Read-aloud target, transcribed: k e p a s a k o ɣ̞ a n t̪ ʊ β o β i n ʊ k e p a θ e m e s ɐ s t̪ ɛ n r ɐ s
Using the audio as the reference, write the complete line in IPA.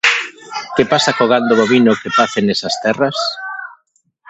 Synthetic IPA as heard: k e p a s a k o ɣ̞ a n d̪ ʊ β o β i n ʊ k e p a θ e n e s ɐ s t̪ ɛ r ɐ s